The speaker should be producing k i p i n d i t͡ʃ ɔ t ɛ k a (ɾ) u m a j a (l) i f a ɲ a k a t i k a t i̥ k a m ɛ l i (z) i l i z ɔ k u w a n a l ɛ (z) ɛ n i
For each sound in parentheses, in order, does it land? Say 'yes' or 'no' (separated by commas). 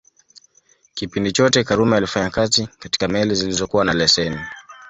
yes, yes, yes, no